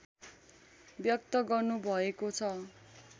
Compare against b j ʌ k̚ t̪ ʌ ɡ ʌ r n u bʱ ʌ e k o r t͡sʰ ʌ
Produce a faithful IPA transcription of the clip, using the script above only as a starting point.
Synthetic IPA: b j ʌ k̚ t̪ ʌ ɡ ʌ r n u bʱ ʌ e k o t͡sʰ ʌ